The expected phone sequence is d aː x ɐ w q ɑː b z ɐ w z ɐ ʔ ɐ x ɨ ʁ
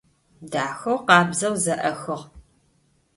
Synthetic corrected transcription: d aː x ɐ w q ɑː b z ɐ w z ɐ ʔ ɐ x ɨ ʁ

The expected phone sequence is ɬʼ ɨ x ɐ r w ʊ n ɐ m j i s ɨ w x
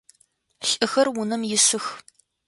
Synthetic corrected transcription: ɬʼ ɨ x ɐ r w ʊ n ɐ m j ɪ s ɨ x

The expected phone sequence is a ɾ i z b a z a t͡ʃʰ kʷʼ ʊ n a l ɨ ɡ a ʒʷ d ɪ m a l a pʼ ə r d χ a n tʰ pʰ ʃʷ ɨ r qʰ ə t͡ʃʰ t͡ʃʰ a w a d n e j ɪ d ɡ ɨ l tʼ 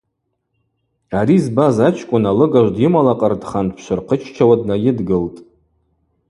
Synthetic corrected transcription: a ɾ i z b a z a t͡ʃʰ kʷʼ ʊ n a l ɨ ɡ a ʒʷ d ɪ m a l a qʼ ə r d χ a n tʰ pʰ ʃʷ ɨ r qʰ ə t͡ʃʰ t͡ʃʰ a w a d n a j ɪ d ɡ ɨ l tʼ

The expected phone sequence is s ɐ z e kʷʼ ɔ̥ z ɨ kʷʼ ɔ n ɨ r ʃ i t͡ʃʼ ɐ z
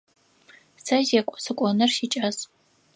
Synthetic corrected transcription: s ɐ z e kʷʼ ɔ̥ s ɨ kʷʼ ɔ n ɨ r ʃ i t͡ʃʼ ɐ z

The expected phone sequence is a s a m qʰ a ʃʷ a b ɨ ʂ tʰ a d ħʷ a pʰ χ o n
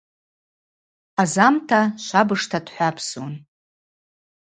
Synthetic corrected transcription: a z a m tʰ a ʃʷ a b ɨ ʂ tʰ a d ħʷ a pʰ s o n

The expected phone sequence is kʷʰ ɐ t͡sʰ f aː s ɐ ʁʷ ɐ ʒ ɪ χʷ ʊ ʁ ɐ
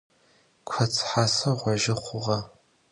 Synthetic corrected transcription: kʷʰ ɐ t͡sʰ ħ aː s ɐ ʁʷ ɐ ʒ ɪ χʷ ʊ ʁ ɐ

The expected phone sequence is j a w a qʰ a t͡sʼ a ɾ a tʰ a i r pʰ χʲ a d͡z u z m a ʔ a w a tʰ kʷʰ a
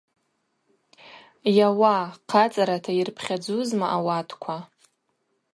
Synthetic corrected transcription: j a w a qʰ a t͡sʼ a ɾ a tʰ a i r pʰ χʲ a d͡z u z m a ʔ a w a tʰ kʷʰ a

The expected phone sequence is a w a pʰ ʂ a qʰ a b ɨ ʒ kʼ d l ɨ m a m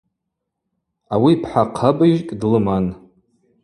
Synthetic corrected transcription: a w i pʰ ħ a qʰ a b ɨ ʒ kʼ d l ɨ m a n

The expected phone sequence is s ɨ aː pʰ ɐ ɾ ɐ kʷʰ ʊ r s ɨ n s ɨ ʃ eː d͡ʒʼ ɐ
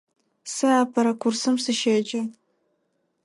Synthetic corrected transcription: s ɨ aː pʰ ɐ ɾ ɐ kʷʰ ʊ r s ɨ m s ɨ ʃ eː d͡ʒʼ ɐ

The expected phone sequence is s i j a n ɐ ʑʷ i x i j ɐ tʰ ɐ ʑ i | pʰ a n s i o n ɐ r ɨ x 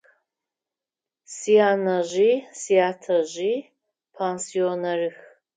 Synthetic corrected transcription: s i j a n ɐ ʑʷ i s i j a tʰ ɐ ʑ i | pʰ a n s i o n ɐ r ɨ x

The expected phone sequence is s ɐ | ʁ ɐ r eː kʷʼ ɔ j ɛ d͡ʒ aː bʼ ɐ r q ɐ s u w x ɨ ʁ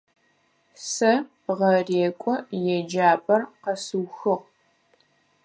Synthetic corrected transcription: s ɐ | ʁ ɐ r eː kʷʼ ɔ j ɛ d͡ʒ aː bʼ ɐ r q ɐ s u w x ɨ ʁ

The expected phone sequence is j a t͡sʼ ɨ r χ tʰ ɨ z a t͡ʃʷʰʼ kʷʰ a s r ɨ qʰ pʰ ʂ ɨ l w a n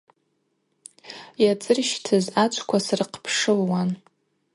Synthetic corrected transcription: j a t͡sʼ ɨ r ʃ tʰ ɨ z a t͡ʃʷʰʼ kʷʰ a s r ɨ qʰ pʰ ʂ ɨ l w a n

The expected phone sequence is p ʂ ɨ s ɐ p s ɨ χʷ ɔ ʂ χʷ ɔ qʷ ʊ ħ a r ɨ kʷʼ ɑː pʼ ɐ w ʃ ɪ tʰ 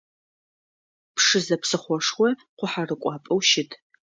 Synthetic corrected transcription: p ʂ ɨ z ɐ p s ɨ χʷ ɔ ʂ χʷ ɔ qʷ ʊ ħ a r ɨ kʷʼ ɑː pʼ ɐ w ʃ ɪ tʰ

